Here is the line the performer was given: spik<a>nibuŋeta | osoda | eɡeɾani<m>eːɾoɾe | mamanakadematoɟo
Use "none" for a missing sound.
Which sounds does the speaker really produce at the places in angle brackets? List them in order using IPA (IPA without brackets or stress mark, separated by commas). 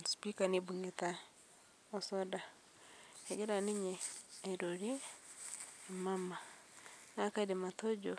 a, ɲ